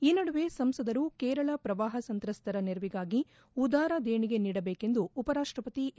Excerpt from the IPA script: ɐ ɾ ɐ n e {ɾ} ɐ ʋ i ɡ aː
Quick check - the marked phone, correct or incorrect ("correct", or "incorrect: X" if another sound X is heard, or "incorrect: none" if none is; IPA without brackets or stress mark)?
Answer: correct